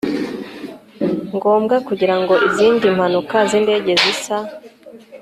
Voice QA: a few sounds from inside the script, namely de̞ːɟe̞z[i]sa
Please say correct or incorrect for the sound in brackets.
correct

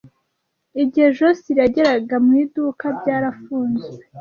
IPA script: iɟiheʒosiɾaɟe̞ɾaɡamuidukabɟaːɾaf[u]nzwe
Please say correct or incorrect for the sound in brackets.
incorrect: uː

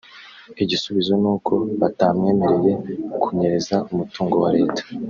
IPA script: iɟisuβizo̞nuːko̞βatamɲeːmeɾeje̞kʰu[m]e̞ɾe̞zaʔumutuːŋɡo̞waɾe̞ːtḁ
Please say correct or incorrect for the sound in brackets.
incorrect: ɲ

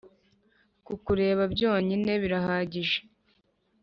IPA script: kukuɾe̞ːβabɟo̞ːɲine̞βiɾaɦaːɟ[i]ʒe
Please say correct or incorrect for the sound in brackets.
correct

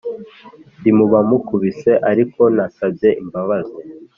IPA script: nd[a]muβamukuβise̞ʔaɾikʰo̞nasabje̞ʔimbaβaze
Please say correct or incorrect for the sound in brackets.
incorrect: i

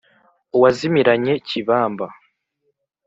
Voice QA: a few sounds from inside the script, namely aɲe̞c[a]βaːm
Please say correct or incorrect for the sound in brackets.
incorrect: i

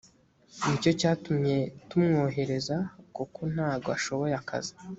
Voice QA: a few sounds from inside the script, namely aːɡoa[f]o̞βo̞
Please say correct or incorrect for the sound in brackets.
incorrect: ʃ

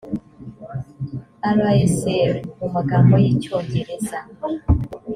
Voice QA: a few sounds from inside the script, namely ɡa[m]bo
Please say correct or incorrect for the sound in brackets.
correct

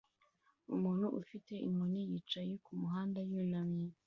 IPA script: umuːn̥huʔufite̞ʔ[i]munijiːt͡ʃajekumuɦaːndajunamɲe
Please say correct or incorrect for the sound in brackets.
correct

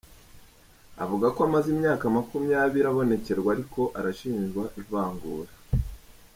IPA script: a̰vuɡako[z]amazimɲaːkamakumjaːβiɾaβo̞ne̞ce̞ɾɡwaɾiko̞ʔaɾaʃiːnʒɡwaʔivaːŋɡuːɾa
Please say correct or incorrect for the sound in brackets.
incorrect: none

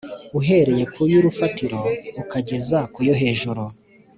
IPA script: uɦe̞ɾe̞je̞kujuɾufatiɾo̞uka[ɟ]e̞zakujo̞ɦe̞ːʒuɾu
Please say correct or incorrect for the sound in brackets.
correct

